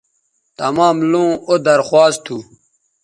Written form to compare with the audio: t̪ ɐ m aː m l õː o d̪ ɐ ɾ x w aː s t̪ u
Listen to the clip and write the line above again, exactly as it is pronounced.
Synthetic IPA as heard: t̪ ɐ m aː m l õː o d̪ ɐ ɾ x w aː s t̪ʰ u

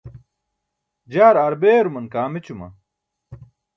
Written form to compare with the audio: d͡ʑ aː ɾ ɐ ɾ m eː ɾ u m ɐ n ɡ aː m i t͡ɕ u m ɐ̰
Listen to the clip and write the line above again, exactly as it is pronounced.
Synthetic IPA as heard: d͡ʑ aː ɾ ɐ ɾ b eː ɾ u m ɐ n k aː m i t͡ɕ u m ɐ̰

